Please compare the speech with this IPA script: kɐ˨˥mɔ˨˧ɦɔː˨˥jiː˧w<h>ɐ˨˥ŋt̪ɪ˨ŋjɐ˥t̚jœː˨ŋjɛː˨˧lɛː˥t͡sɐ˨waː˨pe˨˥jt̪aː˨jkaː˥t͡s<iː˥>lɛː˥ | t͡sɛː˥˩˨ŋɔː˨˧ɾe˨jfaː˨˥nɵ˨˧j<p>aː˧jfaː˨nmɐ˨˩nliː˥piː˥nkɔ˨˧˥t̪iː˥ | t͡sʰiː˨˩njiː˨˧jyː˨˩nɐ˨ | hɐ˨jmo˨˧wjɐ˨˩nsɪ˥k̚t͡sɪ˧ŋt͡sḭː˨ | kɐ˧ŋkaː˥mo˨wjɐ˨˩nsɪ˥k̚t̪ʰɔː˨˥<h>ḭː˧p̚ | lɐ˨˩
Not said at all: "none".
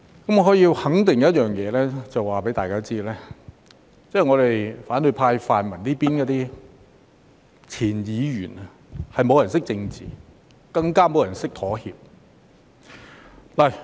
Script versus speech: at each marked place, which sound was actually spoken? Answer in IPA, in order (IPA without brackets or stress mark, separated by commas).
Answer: h, iː˥, pʰ, h